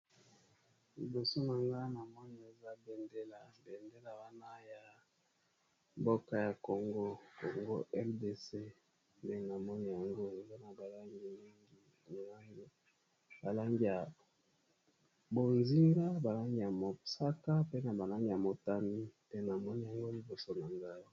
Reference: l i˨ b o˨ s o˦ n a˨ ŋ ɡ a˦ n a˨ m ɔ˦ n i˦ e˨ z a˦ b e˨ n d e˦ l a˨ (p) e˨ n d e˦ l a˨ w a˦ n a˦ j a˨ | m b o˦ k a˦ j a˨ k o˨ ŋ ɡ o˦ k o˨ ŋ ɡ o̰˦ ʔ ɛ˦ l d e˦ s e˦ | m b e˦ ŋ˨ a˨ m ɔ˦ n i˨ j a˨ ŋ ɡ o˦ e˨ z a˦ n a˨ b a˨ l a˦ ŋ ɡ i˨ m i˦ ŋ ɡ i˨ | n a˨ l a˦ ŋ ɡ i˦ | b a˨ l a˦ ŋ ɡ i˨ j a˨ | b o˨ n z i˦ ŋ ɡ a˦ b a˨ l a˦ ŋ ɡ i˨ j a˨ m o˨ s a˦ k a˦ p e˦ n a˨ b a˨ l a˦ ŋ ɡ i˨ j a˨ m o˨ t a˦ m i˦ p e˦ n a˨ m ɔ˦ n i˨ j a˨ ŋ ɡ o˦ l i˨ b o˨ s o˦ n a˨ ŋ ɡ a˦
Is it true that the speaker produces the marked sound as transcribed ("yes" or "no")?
no